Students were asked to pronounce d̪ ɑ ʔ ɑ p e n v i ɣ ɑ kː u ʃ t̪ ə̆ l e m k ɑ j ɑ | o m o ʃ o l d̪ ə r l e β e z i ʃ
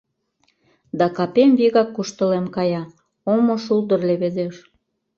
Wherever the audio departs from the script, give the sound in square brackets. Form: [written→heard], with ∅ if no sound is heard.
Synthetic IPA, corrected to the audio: d̪ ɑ [ʔ→k] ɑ p e [n→m] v i ɣ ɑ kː u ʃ t̪ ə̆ l e m k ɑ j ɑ | o m o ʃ [o→u] l d̪ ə r l e β e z [i→e] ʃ